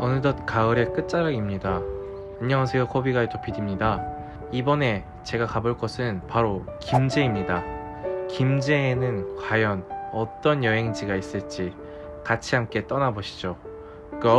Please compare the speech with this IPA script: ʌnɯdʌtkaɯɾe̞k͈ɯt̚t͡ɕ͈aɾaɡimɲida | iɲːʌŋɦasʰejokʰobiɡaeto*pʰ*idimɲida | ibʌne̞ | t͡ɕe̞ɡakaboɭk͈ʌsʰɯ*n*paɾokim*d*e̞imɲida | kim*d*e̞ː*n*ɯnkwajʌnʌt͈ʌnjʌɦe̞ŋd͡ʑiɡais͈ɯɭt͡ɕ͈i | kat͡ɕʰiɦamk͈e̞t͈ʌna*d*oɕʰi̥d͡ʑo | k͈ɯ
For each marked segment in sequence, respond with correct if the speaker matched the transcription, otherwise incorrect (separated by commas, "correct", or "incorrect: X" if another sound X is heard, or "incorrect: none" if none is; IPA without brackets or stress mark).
correct, correct, incorrect: d͡ʑ, incorrect: d͡ʑ, correct, incorrect: b